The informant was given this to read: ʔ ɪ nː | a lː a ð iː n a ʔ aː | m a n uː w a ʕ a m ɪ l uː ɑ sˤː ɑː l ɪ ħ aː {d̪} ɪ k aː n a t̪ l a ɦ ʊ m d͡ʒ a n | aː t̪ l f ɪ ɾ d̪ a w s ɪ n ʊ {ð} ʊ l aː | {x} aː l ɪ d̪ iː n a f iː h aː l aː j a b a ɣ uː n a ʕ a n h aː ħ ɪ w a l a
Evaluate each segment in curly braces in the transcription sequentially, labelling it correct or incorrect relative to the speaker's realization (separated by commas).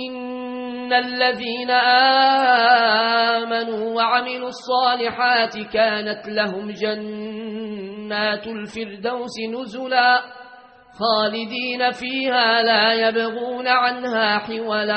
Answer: incorrect, incorrect, correct